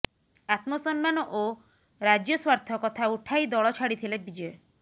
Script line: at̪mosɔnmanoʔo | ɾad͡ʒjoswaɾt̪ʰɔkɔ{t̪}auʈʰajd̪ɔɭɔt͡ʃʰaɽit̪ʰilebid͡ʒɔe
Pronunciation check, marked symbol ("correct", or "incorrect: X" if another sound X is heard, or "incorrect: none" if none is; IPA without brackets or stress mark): incorrect: t̪ʰ